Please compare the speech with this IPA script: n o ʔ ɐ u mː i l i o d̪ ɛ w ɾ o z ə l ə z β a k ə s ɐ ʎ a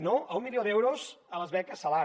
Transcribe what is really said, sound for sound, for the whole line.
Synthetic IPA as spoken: n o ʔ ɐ u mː i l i o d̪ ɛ w ɾ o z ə l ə z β ɛ k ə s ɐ l a